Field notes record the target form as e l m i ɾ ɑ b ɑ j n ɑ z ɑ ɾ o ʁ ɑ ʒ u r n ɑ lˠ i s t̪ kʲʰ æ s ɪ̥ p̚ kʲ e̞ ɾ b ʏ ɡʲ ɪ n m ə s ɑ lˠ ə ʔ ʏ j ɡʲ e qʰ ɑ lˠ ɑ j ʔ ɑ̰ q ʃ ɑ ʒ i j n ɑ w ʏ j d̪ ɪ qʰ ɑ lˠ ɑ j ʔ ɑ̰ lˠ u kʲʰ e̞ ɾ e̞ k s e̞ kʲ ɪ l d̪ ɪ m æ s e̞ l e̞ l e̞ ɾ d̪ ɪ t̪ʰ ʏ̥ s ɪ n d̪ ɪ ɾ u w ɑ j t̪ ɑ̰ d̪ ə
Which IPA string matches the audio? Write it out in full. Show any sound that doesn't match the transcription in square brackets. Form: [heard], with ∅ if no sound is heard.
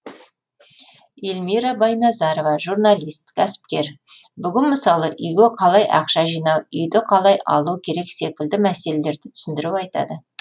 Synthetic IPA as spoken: e l m i ɾ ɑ b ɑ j n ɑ z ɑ ɾ o [v] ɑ ʒ u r n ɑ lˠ i s t̪ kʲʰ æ s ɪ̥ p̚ kʲ e̞ ɾ b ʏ ɡʲ ɪ n m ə s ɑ lˠ ə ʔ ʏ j ɡʲ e qʰ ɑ lˠ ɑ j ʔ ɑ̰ q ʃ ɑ ʒ i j n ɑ w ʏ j d̪ ɪ qʰ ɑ lˠ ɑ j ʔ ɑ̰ lˠ u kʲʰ e̞ ɾ e̞ k s e̞ kʲ ɪ l d̪ ɪ m æ s e̞ l e̞ l e̞ ɾ d̪ ɪ t̪ʰ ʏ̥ s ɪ n d̪ ɪ ɾ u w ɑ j t̪ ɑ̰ d̪ ə